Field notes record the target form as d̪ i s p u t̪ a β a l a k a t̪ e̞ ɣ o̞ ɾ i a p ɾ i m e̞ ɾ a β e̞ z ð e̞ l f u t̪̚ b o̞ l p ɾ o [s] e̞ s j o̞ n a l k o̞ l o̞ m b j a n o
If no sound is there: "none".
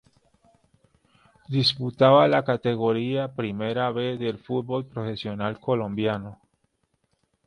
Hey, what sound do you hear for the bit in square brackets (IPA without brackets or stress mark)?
f